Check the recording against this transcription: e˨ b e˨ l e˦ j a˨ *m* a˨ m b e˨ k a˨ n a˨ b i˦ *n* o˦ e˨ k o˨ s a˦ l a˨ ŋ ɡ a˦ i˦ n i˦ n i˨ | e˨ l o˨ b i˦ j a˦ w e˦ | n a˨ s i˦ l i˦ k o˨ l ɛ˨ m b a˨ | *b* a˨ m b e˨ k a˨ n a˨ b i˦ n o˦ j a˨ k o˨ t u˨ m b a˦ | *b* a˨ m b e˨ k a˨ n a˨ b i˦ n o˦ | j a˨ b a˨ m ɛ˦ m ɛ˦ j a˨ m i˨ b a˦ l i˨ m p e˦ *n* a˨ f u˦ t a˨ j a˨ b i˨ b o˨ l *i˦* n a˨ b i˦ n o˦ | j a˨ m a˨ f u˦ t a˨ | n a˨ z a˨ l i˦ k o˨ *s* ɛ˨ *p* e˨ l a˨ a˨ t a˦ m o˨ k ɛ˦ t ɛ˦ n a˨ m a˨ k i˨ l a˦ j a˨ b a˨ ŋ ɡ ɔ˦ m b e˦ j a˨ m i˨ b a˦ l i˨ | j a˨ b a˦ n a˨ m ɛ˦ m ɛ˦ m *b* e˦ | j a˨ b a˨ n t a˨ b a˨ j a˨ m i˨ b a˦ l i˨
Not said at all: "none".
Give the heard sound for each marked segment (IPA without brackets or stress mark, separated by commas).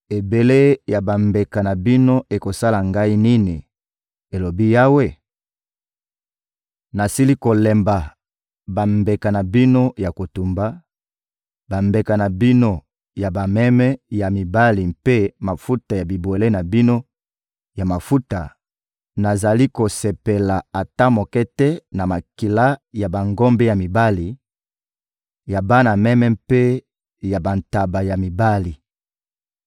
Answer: b, n, b, b, m, e˦, s, p, p